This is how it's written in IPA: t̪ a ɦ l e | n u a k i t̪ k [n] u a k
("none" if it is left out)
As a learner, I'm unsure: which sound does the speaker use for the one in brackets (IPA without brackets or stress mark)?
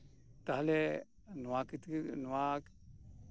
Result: n